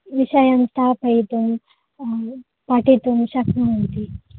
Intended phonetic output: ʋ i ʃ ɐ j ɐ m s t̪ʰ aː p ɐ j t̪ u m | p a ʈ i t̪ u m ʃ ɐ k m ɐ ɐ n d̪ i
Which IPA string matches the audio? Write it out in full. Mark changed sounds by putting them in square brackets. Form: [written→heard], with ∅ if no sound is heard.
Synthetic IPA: ʋ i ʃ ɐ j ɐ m s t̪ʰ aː p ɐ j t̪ u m | p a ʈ i t̪ u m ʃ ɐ k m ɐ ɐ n [d̪→t̪] i